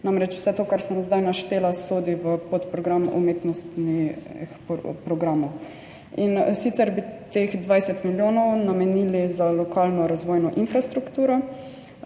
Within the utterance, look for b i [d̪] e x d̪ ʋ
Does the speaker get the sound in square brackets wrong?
yes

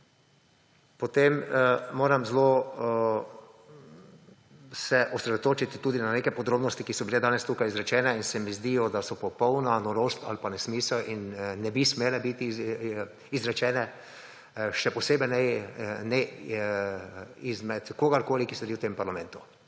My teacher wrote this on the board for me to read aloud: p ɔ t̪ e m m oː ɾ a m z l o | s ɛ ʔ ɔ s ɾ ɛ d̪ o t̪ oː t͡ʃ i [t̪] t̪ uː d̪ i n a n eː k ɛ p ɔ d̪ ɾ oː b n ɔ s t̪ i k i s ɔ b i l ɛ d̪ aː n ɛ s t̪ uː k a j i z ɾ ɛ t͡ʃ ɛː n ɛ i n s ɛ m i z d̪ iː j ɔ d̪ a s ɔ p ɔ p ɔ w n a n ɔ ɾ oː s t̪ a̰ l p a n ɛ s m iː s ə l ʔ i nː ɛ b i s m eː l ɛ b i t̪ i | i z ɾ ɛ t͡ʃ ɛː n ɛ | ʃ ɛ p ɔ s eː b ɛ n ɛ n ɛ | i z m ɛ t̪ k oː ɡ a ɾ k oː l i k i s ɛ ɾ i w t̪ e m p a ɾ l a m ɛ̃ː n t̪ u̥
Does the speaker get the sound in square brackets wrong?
no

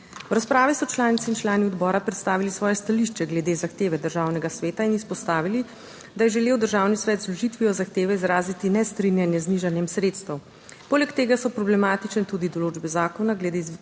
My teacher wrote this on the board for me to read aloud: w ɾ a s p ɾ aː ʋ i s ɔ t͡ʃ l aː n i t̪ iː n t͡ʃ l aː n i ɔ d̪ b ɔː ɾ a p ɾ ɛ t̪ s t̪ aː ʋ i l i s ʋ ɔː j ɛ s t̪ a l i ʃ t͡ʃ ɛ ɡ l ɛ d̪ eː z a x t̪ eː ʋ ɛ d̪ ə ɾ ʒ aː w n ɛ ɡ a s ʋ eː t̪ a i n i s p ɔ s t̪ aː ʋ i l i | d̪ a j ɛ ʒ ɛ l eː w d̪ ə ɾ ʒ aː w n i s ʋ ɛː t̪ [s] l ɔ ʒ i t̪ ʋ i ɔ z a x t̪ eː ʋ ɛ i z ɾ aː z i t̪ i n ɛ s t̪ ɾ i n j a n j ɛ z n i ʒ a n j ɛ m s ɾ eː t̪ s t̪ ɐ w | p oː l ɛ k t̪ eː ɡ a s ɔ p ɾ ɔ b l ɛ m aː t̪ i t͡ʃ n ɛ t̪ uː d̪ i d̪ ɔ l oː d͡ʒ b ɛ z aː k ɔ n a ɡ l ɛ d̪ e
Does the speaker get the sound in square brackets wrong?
yes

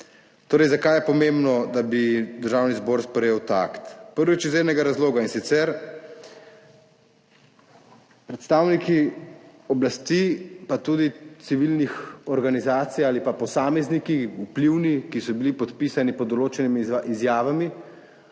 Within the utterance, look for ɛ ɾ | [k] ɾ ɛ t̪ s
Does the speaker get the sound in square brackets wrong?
yes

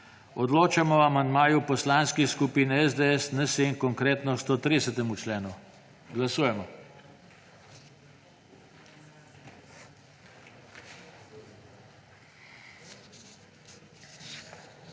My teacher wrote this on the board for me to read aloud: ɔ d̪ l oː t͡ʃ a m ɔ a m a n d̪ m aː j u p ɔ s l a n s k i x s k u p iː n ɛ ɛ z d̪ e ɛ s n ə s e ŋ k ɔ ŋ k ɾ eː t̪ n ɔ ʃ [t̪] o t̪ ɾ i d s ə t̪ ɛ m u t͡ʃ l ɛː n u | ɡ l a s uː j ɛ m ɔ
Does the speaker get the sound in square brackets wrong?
no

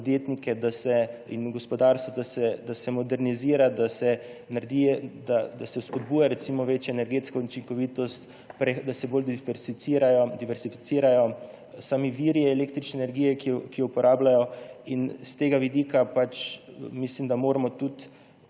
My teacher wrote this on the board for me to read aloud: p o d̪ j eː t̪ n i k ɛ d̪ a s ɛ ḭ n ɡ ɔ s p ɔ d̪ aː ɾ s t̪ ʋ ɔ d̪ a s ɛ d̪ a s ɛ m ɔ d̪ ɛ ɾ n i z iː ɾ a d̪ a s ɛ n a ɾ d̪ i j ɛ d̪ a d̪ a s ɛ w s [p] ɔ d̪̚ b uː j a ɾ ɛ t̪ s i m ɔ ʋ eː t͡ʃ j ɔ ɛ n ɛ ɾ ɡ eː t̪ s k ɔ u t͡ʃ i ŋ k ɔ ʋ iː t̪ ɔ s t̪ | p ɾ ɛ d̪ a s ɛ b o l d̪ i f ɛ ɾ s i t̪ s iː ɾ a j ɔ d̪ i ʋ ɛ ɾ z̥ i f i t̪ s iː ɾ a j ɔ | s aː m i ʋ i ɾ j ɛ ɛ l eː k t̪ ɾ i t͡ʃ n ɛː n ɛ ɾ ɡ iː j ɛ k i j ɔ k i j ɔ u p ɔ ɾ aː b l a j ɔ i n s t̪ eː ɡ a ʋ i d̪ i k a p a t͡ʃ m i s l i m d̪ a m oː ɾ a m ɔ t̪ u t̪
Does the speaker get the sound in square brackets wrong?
no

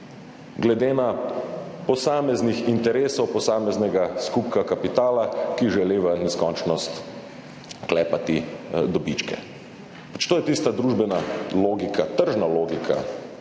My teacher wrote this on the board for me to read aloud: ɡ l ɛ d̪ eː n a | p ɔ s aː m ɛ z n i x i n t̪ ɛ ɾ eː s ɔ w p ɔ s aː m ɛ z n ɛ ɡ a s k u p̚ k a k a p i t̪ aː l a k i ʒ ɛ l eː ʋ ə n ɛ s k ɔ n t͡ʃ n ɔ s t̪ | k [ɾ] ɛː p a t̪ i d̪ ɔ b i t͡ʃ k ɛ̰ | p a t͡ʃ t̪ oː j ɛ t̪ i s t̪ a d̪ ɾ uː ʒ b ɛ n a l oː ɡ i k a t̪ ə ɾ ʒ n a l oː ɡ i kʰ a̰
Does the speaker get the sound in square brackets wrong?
yes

